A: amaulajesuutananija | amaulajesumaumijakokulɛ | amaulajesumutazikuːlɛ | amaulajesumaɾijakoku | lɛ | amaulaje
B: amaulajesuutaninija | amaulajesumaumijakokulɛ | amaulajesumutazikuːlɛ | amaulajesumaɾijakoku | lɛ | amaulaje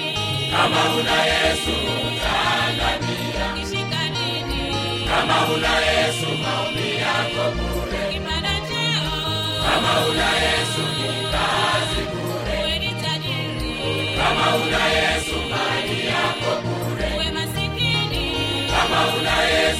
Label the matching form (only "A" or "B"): A